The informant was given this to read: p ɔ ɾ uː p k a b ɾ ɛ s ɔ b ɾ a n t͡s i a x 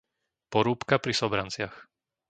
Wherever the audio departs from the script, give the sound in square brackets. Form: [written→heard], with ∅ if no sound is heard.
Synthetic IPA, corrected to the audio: p ɔ ɾ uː p k a [b→p] ɾ [ɛ→i] s ɔ b ɾ a n t͡s [i→ɪ] a x